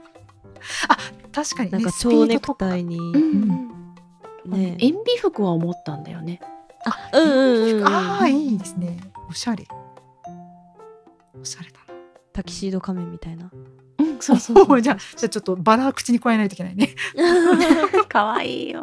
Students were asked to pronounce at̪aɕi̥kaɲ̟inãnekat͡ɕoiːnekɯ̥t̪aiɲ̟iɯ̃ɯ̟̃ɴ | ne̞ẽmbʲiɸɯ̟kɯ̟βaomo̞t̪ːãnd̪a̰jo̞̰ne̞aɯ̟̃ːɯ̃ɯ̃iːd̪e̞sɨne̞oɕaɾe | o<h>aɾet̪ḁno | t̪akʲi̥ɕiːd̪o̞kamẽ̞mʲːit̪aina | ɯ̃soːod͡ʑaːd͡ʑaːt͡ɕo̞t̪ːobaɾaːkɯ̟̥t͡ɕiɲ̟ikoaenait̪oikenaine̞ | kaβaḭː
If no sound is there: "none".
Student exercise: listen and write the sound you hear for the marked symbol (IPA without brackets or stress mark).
ɕ